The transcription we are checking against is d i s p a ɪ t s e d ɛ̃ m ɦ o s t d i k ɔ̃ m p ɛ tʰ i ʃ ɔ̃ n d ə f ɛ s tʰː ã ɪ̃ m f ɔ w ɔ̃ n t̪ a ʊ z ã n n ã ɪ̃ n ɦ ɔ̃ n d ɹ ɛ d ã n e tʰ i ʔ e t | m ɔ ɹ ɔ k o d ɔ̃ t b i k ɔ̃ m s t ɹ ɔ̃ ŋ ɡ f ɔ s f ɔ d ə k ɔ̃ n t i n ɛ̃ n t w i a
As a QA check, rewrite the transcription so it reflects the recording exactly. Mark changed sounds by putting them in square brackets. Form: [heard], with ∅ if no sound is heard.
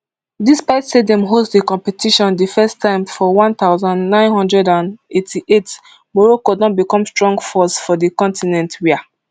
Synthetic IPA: d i s p a ɪ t s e d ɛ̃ m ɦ o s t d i k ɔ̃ m p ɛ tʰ i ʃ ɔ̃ n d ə f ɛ s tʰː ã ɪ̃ m f ɔ w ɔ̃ n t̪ a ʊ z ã n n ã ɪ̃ n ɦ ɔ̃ n d ɹ ɛ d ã n e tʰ i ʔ e t | m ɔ ɹ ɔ k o d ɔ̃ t b i k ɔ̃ m s t ɹ ɔ̃ ŋ ɡ f ɔ s f ɔ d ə k ɔ̃ n t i n ɛ̃ n t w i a